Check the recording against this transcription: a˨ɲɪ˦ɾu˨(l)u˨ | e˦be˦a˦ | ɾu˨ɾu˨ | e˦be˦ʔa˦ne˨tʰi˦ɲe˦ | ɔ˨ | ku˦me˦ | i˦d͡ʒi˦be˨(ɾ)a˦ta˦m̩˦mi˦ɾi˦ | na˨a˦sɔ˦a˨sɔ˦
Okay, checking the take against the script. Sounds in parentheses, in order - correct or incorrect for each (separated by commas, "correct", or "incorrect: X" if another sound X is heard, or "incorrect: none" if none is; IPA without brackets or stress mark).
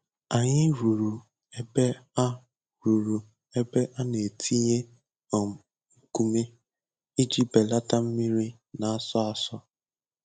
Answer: incorrect: ɾ, incorrect: l